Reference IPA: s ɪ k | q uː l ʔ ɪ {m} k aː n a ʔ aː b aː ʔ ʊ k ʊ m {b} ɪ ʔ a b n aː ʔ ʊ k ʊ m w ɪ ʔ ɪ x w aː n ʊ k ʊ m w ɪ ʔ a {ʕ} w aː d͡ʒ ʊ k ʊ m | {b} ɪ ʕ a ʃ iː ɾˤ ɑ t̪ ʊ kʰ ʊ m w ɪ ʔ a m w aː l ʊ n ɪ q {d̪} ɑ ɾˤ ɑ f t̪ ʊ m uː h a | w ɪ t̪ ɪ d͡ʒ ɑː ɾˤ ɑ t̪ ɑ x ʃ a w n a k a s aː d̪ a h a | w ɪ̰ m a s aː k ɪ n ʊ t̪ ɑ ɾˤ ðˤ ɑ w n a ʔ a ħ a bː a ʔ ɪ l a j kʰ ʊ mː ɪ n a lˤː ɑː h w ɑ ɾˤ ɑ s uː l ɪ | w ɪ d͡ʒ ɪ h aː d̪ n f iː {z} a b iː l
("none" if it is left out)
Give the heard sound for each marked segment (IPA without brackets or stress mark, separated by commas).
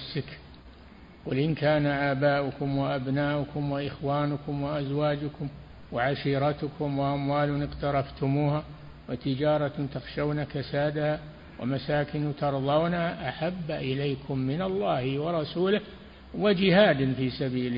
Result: n, w, z, w, t̪, s